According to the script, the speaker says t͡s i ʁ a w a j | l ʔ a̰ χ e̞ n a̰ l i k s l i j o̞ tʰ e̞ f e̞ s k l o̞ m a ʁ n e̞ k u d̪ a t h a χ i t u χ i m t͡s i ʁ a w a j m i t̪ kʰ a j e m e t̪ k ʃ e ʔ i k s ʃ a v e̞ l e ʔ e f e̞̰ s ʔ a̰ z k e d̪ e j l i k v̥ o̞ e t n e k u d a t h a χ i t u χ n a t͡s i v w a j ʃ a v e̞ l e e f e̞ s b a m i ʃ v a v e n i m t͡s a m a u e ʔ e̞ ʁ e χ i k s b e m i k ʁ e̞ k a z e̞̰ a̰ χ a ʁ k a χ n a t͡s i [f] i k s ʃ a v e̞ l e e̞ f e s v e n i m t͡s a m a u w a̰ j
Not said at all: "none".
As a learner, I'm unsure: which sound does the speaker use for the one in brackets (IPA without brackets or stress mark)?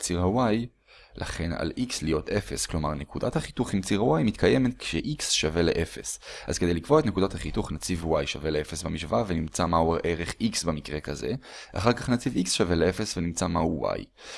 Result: v